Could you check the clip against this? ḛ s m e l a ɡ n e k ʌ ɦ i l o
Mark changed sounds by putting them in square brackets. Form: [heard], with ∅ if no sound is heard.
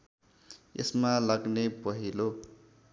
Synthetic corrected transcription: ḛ s m [a] l a ɡ n e [p] ʌ ɦ i l o

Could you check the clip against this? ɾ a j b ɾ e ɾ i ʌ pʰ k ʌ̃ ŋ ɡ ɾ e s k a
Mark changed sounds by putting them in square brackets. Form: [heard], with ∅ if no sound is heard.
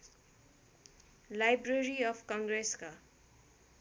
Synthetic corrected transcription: [l] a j b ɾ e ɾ i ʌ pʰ k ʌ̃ ŋ ɡ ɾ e s k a

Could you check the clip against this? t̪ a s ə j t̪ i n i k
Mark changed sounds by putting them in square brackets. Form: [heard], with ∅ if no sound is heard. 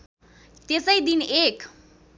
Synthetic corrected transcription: t̪ [e] s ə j [d̪] i n [e] k

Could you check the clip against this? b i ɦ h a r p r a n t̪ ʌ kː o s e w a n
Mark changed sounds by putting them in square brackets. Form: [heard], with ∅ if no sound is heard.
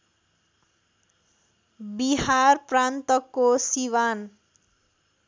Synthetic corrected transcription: b i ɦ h a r p r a n t̪ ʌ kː o s [i] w a n

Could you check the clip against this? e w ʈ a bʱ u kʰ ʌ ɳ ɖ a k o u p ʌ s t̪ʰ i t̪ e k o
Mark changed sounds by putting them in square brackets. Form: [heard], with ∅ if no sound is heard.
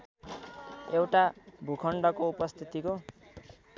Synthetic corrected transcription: e w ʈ a bʱ u kʰ ʌ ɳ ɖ [ʌ] k o u p ʌ s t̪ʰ i t̪ [i] k o

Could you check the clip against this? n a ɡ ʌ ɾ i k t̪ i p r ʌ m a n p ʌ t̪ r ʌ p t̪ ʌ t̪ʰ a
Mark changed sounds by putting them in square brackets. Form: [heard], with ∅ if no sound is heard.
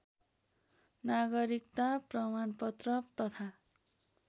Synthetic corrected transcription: n a ɡ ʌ ɾ i k t̪ [a] p r ʌ m a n p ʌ t̪ r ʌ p t̪ ʌ t̪ʰ a

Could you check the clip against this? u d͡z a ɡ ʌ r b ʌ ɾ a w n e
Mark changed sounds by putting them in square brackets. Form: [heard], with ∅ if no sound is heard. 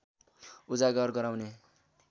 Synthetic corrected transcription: u d͡z a ɡ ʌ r [ɡ] ʌ ɾ a w n e

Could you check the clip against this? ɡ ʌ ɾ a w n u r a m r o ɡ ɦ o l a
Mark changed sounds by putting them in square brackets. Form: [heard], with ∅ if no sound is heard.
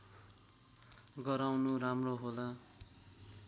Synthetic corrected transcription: ɡ ʌ ɾ a w n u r a m r o [∅] ɦ o l a

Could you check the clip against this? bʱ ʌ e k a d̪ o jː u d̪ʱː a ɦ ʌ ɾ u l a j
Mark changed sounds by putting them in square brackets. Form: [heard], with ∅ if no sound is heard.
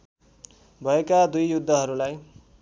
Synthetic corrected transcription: bʱ ʌ e k a d̪ [u] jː u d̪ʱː [ʌ] ɦ ʌ ɾ u l a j

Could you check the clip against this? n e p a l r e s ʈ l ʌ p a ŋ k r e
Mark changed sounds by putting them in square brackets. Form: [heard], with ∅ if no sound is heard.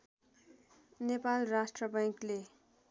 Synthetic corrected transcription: n e p a l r [a] s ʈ [r] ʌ [b] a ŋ k [l] e

